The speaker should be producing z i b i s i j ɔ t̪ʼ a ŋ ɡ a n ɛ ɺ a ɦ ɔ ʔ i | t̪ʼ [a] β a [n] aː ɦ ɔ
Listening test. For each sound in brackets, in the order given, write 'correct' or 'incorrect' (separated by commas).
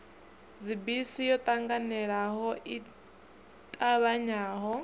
correct, incorrect